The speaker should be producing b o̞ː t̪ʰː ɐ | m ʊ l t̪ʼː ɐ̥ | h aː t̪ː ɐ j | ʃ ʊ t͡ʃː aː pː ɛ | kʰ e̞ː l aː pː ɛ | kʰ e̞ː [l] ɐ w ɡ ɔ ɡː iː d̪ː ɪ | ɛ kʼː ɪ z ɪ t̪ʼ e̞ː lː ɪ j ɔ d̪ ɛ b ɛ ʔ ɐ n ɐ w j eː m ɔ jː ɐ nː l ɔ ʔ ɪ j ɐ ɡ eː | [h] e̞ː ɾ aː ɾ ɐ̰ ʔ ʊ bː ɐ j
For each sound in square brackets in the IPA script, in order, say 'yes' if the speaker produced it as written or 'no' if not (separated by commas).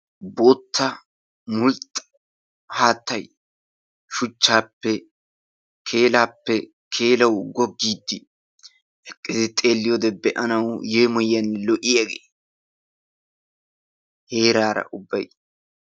yes, yes